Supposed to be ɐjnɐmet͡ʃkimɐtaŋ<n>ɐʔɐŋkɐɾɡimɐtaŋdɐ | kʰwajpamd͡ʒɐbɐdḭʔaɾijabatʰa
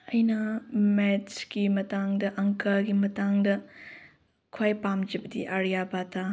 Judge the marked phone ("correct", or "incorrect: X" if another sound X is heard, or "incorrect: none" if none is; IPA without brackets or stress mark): incorrect: d